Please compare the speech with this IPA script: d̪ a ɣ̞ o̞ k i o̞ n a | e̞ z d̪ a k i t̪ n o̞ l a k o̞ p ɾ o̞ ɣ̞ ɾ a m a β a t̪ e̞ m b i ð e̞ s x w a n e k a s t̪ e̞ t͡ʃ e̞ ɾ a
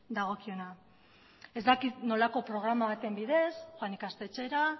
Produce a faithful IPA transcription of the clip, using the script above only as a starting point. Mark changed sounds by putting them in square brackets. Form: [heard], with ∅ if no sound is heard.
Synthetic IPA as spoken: d̪ a ɣ̞ o̞ k i o̞ n a | e̞ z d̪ a k i t̪ n o̞ l a k o̞ p ɾ o̞ ɣ̞ ɾ a m a β a t̪ e̞ m b i ð e̞ s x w a n [i] k a s t̪ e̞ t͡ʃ e̞ ɾ a